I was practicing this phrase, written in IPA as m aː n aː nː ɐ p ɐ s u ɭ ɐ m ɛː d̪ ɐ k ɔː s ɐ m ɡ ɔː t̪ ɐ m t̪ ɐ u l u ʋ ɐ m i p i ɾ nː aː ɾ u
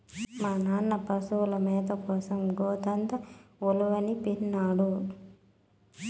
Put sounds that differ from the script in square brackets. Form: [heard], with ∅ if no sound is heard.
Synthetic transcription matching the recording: m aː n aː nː ɐ p ɐ s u [l] ɐ m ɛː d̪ ɐ k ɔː s ɐ m ɡ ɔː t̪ ɐ [n] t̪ ɐ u l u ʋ ɐ [n] i p i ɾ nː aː [ɽ] u